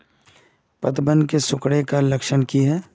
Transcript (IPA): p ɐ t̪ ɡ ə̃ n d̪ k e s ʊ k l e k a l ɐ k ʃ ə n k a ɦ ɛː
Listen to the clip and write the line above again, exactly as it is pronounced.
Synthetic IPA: p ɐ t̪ b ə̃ n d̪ k e s ʊ k ɽ e k a l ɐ k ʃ ə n k i ɦ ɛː